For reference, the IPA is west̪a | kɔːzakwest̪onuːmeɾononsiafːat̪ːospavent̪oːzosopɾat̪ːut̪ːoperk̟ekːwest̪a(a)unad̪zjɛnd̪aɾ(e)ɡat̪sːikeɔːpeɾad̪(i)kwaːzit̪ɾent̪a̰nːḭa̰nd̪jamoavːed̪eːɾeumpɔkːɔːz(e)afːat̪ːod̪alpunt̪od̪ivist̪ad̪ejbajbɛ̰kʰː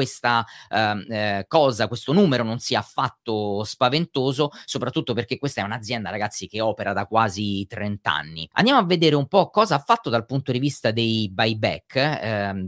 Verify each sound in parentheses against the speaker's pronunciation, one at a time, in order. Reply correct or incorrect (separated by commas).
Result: incorrect, incorrect, incorrect, incorrect